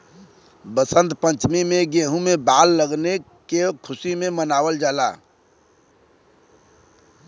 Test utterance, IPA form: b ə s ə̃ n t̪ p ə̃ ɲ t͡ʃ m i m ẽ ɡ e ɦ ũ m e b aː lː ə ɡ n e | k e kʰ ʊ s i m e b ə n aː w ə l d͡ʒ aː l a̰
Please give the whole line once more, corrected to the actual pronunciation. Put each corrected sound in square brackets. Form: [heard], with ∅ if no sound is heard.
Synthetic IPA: b ə s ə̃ n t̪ p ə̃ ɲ t͡ʃ m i m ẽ ɡ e ɦ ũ m e b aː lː ə ɡ n e | k e kʰ ʊ s i m e [m] ə n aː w ə l d͡ʒ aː l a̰